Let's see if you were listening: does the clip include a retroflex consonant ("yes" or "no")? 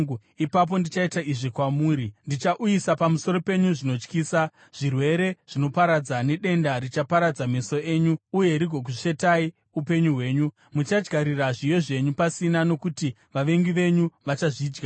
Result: yes